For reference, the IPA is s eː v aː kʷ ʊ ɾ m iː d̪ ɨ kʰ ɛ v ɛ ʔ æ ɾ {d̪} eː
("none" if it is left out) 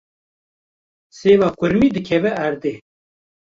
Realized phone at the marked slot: d̪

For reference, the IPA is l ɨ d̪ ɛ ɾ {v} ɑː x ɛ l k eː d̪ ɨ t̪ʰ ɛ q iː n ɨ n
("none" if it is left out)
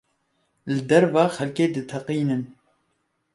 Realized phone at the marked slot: v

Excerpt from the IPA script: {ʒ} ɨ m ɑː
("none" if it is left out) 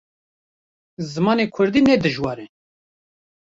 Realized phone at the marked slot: z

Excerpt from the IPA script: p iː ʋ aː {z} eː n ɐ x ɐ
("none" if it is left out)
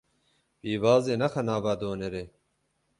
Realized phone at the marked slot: z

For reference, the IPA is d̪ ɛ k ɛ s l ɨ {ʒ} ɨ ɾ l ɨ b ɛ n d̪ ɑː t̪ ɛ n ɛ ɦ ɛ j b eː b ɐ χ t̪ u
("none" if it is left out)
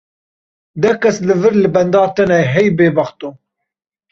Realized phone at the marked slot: v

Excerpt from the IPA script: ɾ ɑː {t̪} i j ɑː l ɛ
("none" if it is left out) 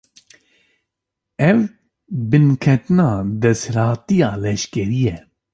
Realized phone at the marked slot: t̪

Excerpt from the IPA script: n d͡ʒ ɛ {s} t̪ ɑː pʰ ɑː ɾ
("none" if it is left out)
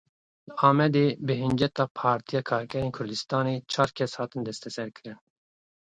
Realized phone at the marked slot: none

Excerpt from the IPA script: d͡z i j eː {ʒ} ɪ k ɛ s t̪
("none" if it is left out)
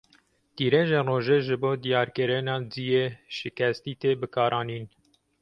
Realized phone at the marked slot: ʃ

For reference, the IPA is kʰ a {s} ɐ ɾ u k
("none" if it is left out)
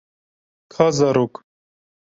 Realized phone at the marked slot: z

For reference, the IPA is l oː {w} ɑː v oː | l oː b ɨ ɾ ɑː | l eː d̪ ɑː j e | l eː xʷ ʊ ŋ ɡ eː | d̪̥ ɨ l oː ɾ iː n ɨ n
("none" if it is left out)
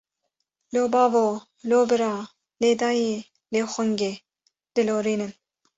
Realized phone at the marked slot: b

